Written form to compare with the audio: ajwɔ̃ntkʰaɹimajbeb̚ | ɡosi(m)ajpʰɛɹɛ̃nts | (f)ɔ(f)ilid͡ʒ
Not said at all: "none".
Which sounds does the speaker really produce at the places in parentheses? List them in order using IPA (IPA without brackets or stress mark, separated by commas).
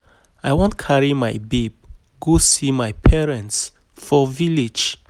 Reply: m, f, v